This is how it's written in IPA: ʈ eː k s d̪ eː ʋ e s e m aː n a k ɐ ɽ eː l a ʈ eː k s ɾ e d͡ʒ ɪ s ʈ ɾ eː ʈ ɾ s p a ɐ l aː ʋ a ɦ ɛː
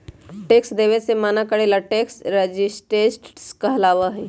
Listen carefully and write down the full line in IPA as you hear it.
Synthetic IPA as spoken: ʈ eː k s d̪ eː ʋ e s e m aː n a k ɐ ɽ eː l a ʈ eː k s ɾ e d͡ʒ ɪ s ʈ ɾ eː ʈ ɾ s k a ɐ l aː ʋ a ɦ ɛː